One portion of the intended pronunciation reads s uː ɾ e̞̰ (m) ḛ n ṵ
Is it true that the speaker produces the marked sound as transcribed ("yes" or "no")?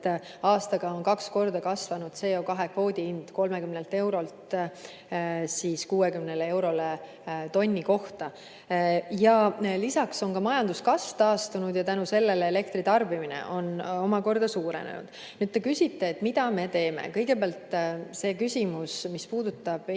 no